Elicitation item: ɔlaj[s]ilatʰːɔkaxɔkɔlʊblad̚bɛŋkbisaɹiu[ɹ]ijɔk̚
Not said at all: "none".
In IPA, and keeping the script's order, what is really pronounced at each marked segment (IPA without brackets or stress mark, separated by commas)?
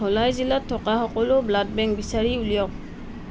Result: z, l